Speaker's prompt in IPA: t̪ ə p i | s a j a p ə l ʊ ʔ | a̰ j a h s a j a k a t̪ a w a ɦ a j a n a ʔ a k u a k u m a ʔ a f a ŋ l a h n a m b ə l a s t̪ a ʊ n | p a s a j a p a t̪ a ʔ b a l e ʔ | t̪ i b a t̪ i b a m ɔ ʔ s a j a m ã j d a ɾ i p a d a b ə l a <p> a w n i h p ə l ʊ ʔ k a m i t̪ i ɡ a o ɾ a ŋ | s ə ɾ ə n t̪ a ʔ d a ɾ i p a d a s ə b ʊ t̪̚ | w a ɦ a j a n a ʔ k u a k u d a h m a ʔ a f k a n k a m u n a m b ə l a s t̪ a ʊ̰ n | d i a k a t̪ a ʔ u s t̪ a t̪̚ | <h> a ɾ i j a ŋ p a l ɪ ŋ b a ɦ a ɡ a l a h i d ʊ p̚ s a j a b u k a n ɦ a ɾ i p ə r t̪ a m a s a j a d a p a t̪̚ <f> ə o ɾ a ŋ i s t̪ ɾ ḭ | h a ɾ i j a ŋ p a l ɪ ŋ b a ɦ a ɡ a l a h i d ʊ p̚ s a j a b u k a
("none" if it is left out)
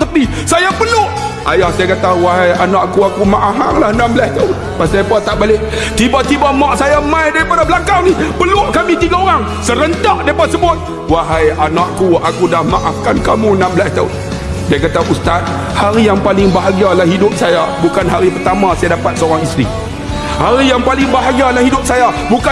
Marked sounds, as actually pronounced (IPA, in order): k, h, s

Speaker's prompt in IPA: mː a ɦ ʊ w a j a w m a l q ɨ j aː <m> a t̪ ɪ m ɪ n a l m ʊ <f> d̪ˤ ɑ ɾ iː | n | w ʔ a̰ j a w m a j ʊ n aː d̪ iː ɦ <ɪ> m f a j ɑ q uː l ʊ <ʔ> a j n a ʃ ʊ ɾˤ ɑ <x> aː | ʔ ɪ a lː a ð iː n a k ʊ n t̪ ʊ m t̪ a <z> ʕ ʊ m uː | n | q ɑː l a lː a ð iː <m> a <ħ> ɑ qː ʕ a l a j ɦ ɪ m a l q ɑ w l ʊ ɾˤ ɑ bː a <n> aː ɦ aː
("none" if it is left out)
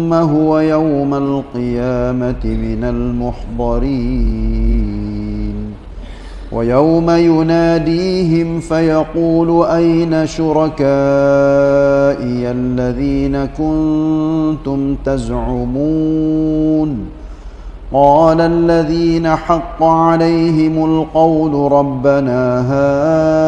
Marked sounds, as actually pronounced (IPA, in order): m, ħ, ɪ, ʔ, k, z, n, ħ, n

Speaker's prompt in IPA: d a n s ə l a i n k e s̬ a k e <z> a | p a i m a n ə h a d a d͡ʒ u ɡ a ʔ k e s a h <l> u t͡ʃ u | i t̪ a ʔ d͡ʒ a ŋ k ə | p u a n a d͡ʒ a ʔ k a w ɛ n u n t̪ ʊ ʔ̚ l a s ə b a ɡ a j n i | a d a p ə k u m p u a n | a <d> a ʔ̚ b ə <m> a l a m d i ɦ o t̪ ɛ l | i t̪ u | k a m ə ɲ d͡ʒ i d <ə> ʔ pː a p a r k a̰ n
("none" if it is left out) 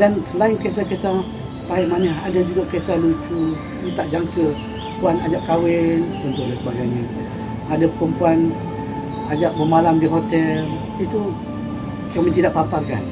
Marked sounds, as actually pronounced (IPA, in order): s, l, d͡ʒ, m, a

